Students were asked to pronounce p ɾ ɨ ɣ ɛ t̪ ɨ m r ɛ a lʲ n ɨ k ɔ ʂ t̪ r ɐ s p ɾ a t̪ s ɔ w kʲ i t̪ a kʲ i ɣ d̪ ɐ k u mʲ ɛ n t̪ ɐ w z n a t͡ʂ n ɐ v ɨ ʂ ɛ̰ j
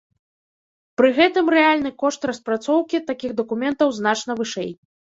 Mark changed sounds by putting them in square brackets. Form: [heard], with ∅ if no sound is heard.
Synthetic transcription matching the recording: p ɾ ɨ ɣ ɛ t̪ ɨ m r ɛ a lʲ n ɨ k ɔ ʂ t̪ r ɐ s p ɾ a t̪ s ɔ w kʲ i t̪ a kʲ i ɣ d̪ ɐ k u mʲ ɛ n t̪ ɐ w z n a t͡ʂ n ɐ v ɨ ʂ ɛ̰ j